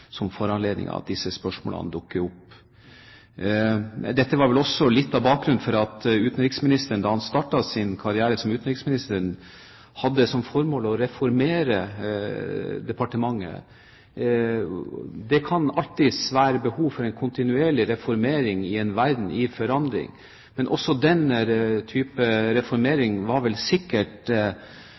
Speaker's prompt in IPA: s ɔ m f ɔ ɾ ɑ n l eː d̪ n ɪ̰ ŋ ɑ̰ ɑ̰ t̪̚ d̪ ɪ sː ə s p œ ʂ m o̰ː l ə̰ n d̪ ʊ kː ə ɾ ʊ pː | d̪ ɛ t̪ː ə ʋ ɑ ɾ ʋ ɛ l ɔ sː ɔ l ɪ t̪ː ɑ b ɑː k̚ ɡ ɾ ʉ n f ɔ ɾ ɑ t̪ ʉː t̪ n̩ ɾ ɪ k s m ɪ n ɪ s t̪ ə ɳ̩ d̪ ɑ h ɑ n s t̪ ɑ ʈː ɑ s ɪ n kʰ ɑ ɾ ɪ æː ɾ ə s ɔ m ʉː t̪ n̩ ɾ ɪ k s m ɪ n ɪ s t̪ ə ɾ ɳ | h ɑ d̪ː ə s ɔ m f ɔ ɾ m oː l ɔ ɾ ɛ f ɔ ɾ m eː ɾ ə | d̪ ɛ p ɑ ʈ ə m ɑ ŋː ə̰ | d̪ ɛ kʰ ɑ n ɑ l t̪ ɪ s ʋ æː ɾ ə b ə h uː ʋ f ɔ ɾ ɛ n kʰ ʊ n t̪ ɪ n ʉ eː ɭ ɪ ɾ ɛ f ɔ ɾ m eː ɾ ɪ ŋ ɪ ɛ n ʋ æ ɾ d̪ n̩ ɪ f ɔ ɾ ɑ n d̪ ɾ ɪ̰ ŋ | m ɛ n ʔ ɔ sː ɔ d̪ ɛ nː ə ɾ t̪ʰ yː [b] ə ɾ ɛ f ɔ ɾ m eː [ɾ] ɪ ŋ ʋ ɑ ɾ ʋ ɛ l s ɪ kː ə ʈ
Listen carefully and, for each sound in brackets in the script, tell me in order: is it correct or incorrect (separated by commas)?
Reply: incorrect, correct